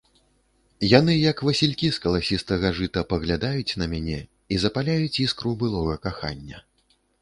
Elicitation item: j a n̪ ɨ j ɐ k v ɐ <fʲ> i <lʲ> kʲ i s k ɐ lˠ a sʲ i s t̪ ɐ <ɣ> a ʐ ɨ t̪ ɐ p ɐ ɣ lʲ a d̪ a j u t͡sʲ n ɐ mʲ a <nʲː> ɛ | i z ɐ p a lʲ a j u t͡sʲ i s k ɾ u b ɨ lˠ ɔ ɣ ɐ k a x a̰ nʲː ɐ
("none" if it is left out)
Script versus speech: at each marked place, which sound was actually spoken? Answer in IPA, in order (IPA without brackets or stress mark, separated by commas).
sʲ, lʲ, ɣ, nʲ